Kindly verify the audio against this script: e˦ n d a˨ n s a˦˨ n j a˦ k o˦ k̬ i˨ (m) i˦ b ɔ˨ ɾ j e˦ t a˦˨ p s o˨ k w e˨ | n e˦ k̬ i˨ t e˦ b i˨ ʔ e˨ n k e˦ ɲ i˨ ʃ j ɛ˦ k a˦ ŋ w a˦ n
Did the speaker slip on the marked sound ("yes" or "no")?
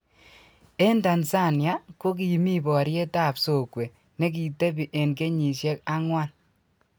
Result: no